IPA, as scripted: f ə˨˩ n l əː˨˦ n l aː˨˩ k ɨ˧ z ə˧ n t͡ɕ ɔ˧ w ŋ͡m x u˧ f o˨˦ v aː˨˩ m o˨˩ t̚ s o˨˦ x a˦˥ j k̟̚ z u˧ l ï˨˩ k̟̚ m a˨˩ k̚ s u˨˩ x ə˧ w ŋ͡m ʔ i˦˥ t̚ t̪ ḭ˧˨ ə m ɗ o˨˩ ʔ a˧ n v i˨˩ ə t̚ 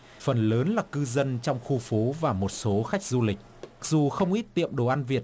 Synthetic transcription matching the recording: f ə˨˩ n l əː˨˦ n l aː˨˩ k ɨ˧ z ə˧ n t͡ɕ ɔ˧ w ŋ͡m x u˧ f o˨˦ v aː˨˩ m o˨˩ t̚ s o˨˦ x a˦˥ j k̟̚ z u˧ l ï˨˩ k̟̚ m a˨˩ k̚ z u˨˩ x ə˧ w ŋ͡m ʔ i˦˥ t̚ t̪ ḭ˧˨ ə m ɗ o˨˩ ʔ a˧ n v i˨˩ ə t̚

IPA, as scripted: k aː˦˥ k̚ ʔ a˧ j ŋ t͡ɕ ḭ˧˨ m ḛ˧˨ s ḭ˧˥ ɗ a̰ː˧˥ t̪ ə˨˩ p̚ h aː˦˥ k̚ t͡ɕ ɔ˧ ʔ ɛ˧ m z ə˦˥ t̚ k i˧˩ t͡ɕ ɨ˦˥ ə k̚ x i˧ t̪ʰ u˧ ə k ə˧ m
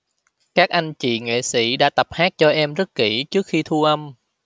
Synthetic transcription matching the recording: k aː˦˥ k̚ ʔ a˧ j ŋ t͡ɕ ḭ˧˨ ŋ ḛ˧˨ s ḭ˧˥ ɗ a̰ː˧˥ t̪ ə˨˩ p̚ h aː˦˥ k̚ t͡ɕ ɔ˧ ʔ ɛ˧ m z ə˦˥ t̚ k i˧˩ t͡ɕ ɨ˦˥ ə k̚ x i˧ t̪ʰ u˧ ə ʔ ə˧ m

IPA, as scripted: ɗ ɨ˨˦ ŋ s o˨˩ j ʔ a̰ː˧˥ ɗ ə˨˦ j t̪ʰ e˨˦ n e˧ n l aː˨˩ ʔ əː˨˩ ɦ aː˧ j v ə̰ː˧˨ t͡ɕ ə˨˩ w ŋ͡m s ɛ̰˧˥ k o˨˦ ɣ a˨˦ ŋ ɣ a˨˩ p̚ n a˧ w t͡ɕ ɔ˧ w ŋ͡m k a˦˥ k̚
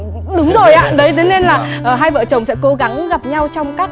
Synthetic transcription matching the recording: ɗ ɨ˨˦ ŋ z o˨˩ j ʔ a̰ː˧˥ ɗ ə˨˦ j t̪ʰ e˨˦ n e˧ n l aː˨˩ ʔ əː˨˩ ɦ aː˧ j v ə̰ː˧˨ t͡ɕ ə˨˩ w ŋ͡m s ɛ̰˧˥ k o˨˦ ɣ a˨˦ ŋ ɣ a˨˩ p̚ ɲ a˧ w t͡ɕ ɔ˧ w ŋ͡m k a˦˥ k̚

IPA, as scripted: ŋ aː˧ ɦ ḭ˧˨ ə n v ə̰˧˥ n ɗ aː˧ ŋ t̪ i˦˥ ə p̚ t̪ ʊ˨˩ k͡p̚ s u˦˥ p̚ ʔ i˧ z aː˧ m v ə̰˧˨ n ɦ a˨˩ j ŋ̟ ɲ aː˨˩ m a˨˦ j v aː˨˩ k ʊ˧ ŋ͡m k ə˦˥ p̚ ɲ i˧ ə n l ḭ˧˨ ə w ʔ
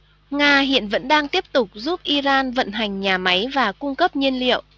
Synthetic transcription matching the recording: ŋ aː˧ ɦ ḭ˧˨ ə n v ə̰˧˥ n ɗ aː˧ ŋ t̪ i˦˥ ə p̚ t̪ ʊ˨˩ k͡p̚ z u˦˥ p̚ ʔ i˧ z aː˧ n v ə̰˧˨ n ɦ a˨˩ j ŋ̟ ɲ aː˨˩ m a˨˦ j v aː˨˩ k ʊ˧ ŋ͡m k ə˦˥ p̚ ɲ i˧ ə n l ḭ˧˨ ə w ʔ

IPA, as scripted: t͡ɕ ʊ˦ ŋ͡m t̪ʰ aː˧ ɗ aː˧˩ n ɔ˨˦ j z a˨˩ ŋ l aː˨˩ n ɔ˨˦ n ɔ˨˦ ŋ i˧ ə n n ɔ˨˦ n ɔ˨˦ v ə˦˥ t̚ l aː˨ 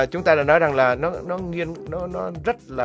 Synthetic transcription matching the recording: t͡ɕ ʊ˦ ŋ͡m t̪ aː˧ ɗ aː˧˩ n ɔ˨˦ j z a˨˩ ŋ l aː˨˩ n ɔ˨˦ n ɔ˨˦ ŋ i˧ ə n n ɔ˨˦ n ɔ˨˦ z ə˦˥ t̚ l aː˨

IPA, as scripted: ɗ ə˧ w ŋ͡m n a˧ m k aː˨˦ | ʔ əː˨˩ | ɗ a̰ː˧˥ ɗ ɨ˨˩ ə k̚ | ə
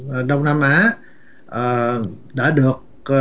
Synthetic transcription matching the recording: ɗ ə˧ w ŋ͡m n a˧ m ʔ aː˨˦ | ʔ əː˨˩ | ɗ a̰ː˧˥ ɗ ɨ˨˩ ə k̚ | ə

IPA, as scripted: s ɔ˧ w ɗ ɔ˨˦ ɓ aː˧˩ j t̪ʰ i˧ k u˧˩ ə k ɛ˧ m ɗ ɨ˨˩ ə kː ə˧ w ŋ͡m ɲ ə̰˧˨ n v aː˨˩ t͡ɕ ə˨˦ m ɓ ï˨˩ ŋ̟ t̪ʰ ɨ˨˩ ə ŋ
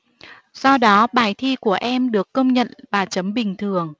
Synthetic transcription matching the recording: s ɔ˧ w ɗ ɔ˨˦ ɓ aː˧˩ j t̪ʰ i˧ k u˧˩ ə ʔ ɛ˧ m ɗ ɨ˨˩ ə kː ə˧ w ŋ͡m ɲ ə̰˧˨ n v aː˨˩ t͡ɕ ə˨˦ m ɓ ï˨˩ ŋ̟ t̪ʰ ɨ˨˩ ə ŋ

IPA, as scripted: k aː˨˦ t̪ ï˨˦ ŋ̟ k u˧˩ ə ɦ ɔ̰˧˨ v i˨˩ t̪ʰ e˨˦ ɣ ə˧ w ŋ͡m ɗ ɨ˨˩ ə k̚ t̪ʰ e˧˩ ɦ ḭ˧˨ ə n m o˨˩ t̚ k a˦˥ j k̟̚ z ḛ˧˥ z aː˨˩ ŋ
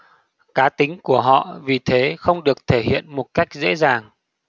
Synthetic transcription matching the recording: k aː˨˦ t̪ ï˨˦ ŋ̟ k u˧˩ ə ɦ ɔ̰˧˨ v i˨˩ t̪ʰ e˨˦ x ə˧ w ŋ͡m ɗ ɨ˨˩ ə k̚ t̪ʰ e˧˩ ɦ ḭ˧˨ ə n m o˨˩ t̚ k a˦˥ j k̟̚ z ḛ˧˥ z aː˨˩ ŋ

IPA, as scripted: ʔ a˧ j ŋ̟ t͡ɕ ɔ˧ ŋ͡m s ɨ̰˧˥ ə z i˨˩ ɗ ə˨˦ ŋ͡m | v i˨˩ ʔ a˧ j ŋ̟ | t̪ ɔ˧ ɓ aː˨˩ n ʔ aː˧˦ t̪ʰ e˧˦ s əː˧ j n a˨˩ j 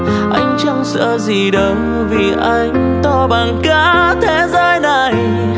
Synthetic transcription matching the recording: ʔ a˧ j ŋ̟ t͡ɕ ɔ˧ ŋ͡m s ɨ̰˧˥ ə z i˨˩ ɗ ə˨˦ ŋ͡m | v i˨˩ ʔ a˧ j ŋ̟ | t̪ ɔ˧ ɓ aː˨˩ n k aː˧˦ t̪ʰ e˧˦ z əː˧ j n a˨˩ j

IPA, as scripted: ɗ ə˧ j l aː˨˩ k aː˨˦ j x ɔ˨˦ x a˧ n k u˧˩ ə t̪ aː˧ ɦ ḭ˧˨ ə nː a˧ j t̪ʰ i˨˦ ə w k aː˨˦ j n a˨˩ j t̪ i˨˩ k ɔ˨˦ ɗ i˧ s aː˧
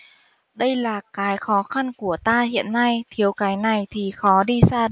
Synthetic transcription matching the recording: ɗ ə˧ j l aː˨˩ k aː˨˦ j x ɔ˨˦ x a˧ n k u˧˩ ə t̪ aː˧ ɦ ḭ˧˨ ə nː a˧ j t̪ʰ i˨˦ ə w k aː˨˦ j n a˨˩ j t̪ʰ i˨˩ x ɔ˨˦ ɗ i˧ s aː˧

